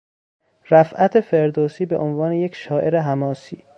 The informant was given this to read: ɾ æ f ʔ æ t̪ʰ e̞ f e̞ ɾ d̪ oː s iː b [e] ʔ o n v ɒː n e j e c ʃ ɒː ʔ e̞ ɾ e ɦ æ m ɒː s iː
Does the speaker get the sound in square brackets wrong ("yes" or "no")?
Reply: no